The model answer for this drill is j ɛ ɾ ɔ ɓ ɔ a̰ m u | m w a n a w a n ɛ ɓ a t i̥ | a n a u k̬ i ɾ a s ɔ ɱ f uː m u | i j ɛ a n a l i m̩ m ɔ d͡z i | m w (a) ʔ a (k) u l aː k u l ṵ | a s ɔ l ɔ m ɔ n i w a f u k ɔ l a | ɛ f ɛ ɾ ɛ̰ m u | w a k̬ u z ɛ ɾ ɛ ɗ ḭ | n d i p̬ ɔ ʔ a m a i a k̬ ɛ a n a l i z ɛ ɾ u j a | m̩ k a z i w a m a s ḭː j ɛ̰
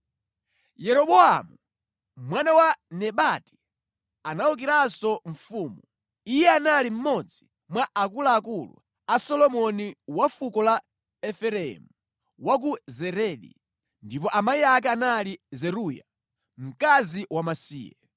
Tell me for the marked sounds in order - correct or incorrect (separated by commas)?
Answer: correct, correct